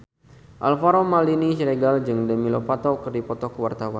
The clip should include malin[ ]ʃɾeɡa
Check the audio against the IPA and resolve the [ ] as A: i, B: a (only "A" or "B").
A